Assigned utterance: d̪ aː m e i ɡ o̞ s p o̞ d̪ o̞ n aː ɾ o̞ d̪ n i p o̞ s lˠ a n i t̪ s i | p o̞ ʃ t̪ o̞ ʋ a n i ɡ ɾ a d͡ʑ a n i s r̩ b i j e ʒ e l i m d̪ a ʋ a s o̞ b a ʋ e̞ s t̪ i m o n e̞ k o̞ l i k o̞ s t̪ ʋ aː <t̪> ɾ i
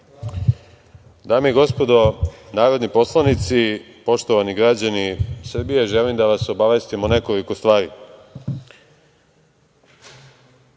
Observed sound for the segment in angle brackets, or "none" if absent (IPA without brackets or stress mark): none